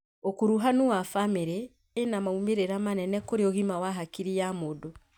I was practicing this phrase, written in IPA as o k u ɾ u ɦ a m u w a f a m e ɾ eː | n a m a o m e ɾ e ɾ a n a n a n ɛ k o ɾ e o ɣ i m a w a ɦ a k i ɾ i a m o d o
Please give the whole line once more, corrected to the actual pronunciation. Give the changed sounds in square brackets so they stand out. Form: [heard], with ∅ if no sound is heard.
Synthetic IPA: o k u ɾ u ɦ a [n] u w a f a m e ɾ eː | n a m a [u] m e ɾ e ɾ a [m] a n [ɛ] n ɛ k o ɾ e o ɣ i m a w a ɦ a k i ɾ i a m o d o

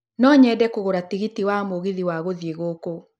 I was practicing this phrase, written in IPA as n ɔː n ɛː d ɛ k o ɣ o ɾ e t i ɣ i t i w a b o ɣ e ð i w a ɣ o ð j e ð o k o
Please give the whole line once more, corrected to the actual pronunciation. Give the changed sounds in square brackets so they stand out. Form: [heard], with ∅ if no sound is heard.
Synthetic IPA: n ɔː [ɲ] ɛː d ɛ k o ɣ o ɾ [a] t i ɣ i t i w a [m] o ɣ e ð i w a ɣ o ð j e [ɣ] o k o

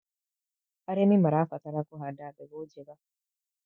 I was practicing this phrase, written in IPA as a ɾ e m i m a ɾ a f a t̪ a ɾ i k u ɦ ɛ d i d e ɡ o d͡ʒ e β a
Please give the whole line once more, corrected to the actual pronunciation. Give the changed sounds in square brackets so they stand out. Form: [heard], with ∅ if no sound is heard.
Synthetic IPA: a ɾ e m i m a ɾ a f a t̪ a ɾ [a] k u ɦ [a] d [a] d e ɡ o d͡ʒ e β a

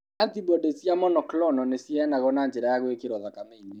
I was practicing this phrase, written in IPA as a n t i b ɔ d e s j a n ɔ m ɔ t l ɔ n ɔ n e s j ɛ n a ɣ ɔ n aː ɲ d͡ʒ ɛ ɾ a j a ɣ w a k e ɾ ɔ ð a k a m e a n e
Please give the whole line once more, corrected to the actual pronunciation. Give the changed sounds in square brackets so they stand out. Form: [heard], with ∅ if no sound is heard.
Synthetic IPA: a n t i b ɔ d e s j a [m] ɔ [n] ɔ [k] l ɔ n ɔ n e s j ɛ n a ɣ ɔ n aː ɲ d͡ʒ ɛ ɾ a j a ɣ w [e] k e ɾ ɔ ð a k a m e [i] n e

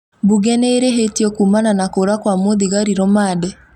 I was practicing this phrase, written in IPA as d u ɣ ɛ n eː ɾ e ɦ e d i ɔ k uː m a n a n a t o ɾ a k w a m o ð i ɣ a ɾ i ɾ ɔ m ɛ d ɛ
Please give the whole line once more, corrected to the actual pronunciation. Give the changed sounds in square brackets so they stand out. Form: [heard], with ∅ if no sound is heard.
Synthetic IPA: [b] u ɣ ɛ n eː ɾ e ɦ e [t] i ɔ k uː m a n a n a [k] o ɾ a k w a m o ð i ɣ a ɾ i ɾ ɔ m [a] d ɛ

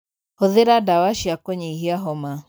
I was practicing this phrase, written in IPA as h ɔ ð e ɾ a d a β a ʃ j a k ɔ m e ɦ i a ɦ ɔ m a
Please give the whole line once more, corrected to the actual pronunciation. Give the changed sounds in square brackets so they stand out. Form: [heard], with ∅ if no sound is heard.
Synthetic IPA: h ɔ ð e ɾ a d a [w] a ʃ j a k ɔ [ɲ] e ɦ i a ɦ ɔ m a

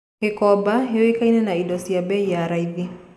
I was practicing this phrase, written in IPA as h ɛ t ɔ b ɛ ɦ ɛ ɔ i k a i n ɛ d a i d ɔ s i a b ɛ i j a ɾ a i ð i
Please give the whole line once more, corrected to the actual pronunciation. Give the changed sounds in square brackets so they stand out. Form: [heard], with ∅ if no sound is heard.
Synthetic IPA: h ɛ [k] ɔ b [a] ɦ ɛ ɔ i k a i n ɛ [n] a i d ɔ s i a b ɛ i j a ɾ a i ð i

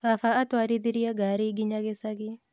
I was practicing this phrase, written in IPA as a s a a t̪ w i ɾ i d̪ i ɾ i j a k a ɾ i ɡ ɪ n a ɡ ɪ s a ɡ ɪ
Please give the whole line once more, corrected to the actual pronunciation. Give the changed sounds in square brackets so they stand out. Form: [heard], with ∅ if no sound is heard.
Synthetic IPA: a [f] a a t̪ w [a] ɾ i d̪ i ɾ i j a [ɡ] a ɾ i ɡ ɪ [ɲ] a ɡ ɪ s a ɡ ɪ

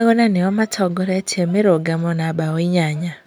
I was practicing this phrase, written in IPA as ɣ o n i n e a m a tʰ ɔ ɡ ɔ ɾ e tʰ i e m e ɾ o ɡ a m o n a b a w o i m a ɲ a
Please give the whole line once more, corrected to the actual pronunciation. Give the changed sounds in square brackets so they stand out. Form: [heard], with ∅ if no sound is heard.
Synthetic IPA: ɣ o n [a] n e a m a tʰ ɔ ɡ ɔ ɾ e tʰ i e m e ɾ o ɡ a m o n a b a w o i [ɲ] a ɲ a

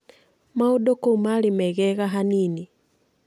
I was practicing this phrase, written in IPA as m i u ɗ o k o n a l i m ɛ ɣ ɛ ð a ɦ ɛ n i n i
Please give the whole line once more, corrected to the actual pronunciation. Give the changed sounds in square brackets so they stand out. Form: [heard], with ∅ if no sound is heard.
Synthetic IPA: m [a] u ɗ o k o [m] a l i m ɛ ɣ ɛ [ɣ] a ɦ [a] n i n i

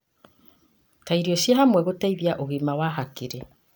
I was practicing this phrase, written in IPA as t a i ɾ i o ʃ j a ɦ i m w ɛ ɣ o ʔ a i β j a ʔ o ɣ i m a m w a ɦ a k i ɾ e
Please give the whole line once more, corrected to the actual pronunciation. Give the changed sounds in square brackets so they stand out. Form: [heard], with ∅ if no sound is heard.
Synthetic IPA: t a i ɾ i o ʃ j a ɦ [a] m w ɛ ɣ o [t] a i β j a ʔ o ɣ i m a [∅] w a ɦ a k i ɾ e

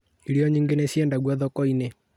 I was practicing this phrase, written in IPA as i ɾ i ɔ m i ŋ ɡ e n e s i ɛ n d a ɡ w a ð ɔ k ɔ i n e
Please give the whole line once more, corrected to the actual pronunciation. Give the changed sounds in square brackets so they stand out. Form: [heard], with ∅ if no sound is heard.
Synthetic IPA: i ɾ i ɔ [ɲ] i ŋ ɡ e n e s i ɛ n d a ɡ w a ð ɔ k ɔ i n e

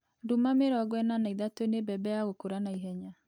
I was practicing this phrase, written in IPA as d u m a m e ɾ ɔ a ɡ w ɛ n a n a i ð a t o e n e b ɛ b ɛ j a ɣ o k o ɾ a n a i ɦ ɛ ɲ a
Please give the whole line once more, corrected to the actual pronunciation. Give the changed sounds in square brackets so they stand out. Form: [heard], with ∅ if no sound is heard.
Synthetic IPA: d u m a m e ɾ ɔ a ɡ w ɛ n a n a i ð a t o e n e b ɛ b ɛ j a ɣ o k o ɾ a n a i ɦ ɛ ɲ a

